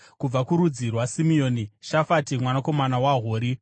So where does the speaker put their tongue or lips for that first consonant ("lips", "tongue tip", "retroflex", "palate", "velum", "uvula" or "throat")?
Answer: velum